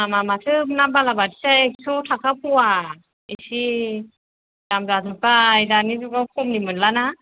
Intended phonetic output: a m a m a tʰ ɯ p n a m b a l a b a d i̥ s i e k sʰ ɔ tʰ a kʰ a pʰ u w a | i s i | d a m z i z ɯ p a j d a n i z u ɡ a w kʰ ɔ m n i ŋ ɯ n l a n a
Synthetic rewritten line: a m a m a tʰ ɯ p n a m b a l a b a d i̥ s a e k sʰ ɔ tʰ a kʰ a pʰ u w a | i s i | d a m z a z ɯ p a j d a n i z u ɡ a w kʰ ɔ m n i m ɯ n l a n a